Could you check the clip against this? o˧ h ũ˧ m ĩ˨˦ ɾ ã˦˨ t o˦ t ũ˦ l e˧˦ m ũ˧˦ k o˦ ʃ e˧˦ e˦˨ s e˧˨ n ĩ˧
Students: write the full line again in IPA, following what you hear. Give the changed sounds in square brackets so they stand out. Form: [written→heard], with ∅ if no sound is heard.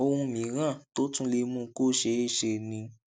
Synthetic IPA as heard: o˧ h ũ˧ m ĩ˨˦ ɾ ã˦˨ t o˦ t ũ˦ l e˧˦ m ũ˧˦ k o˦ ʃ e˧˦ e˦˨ [s→ʃ] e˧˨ n ĩ˧